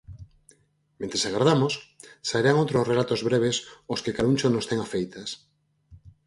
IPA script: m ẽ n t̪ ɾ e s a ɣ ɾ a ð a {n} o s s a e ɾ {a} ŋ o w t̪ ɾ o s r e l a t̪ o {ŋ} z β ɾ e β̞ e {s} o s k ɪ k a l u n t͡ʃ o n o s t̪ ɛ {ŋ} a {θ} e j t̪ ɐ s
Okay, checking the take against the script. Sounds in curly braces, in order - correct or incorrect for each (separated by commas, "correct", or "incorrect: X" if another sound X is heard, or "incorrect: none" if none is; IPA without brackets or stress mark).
incorrect: m, correct, incorrect: none, correct, correct, incorrect: f